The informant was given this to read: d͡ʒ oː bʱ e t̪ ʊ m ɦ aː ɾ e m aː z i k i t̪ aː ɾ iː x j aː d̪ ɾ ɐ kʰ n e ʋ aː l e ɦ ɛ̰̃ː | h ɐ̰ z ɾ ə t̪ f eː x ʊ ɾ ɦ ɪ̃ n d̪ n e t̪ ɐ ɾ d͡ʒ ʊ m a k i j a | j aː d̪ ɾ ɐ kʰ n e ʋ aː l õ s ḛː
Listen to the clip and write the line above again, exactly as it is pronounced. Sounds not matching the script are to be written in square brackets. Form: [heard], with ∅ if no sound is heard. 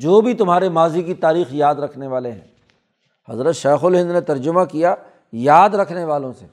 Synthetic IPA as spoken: d͡ʒ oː bʱ [i] t̪ ʊ m ɦ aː ɾ e m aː z i k i t̪ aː ɾ iː x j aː d̪ ɾ ɐ kʰ n e ʋ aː l e ɦ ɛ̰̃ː | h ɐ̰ z ɾ ə t̪ [ʃ] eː x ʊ [l] ɦ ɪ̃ n d̪ n e t̪ ɐ ɾ d͡ʒ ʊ m a k i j a | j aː d̪ ɾ ɐ kʰ n e ʋ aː l õ s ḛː